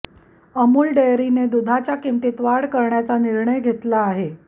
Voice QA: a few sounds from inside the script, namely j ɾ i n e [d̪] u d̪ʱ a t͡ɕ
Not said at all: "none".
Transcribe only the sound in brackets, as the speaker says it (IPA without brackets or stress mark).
d̪